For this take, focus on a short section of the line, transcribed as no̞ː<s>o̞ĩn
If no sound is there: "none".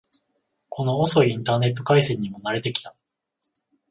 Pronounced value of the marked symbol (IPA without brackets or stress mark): s